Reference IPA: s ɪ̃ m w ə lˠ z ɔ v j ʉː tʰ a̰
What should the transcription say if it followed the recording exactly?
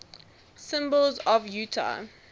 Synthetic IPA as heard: s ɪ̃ m b ə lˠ z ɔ v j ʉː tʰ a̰